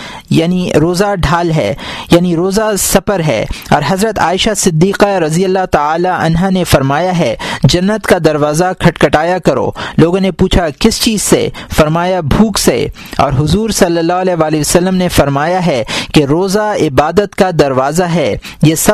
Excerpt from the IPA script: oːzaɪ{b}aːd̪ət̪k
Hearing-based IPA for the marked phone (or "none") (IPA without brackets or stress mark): b